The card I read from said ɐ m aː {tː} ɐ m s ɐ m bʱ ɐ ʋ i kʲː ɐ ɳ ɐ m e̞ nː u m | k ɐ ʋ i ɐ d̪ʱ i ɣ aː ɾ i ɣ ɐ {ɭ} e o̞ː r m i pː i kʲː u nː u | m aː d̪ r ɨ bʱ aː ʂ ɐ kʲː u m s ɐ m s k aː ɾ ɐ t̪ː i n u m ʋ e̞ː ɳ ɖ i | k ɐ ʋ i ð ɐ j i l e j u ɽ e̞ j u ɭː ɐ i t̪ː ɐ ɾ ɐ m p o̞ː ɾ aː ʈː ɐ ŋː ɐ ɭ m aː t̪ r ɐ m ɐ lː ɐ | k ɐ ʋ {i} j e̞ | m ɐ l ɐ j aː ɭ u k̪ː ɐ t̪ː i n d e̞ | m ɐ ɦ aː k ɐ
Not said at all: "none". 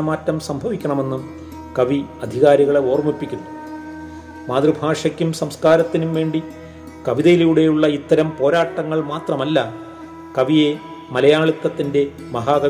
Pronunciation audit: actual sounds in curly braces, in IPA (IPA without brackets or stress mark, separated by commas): tː, ɭ, i